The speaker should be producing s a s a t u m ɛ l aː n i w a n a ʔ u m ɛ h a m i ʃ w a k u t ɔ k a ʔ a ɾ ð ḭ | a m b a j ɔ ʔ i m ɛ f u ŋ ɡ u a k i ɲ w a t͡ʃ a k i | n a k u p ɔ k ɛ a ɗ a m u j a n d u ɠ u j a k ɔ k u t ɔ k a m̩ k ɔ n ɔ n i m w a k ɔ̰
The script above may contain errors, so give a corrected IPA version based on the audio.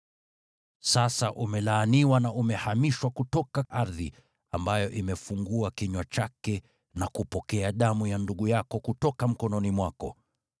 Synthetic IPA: s a s a ʔ u m ɛ l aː n i w a n a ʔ u m ɛ h a m i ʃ w a k u t ɔ k a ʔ a ɾ ð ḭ | a m b a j ɔ ʔ i m ɛ f u ŋ ɡ u a k i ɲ w a t͡ʃ a k ɛ | n a k u p ɔ k ɛ a ɗ a m u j a n d u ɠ u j a k ɔ k u t ɔ k a m̩ k ɔ n ɔ n i m w a k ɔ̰